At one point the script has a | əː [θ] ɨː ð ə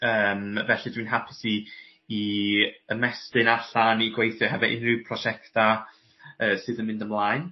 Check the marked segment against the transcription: incorrect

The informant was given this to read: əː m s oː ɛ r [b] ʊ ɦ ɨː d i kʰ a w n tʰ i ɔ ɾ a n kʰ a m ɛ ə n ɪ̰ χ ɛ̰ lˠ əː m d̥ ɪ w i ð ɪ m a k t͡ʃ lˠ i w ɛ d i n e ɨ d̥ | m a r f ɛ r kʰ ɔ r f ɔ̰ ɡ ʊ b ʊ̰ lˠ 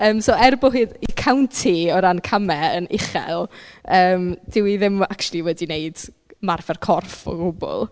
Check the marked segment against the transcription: correct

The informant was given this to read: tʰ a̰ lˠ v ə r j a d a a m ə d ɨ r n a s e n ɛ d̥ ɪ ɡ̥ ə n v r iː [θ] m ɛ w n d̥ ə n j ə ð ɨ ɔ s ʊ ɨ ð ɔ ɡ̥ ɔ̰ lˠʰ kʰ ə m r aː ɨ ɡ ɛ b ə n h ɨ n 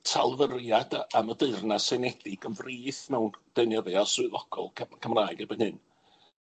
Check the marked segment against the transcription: correct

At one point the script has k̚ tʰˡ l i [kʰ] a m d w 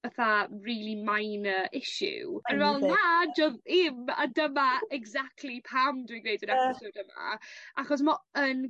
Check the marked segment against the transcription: incorrect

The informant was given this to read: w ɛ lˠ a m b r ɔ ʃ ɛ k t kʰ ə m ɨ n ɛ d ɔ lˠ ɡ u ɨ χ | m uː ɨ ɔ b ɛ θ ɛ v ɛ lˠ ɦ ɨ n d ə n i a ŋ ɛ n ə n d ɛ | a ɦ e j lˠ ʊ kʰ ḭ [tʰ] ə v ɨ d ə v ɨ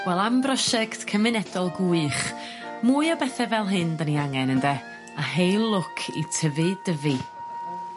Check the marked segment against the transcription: correct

